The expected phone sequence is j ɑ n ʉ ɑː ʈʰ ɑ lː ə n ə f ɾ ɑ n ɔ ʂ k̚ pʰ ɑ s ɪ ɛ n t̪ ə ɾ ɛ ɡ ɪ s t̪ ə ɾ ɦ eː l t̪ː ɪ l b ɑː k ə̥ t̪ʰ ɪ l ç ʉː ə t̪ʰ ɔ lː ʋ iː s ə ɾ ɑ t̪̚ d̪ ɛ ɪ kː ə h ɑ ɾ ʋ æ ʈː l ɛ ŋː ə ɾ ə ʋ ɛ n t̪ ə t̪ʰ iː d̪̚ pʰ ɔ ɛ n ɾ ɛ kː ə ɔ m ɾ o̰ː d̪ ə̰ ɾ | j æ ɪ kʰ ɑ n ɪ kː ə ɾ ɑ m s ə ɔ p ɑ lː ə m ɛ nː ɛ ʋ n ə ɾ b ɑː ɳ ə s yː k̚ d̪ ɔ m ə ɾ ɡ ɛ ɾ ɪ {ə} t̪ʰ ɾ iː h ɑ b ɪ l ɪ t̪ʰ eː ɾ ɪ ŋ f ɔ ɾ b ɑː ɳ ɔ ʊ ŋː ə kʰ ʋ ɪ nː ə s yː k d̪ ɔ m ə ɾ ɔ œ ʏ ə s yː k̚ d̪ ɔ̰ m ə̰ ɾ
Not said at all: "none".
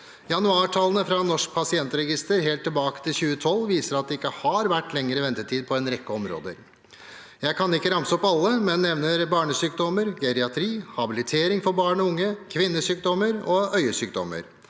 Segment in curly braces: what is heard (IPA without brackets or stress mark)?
ɑ